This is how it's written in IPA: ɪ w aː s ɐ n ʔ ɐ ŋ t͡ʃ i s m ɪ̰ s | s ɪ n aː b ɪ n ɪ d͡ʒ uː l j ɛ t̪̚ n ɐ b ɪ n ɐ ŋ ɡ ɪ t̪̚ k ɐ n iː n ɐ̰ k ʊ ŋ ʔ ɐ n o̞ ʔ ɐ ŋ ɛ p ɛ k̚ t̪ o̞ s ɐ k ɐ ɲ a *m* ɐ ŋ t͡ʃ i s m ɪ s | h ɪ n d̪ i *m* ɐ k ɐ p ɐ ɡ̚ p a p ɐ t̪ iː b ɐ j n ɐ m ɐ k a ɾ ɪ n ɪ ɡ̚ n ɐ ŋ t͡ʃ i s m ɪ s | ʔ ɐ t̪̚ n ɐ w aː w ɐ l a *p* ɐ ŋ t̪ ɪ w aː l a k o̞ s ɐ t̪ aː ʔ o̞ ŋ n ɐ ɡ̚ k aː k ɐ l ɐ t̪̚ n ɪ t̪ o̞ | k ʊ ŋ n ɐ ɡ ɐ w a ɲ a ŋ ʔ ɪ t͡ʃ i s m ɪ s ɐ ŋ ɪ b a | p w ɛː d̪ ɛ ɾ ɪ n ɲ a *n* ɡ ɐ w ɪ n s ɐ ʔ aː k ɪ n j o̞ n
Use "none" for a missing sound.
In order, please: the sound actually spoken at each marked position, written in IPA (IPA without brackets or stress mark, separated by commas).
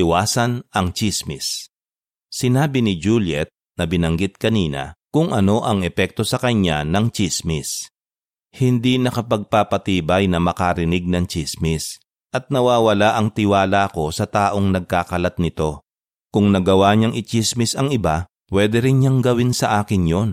n, n, ʔ, ŋ